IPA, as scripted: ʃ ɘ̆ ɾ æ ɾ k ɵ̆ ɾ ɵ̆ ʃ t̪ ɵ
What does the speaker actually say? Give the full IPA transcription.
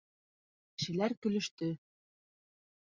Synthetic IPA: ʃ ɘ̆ l æ ɾ k ɵ̆ l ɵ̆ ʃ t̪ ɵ